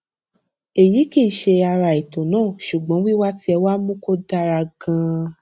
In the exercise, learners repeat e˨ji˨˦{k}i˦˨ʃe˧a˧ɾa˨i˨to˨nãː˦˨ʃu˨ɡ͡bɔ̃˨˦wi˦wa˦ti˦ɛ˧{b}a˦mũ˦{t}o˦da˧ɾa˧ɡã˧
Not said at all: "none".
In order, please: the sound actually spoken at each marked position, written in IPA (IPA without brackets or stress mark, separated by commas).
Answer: k, w, k